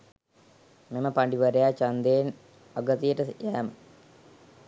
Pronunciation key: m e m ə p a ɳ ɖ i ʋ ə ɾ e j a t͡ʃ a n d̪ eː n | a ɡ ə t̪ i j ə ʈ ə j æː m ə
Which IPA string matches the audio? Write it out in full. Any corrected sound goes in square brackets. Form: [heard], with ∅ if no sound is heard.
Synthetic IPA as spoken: m e m ə p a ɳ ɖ i ʋ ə ɾ e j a t͡ʃ a n d̪ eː n | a ɡ ə t̪ i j ə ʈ ə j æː m ə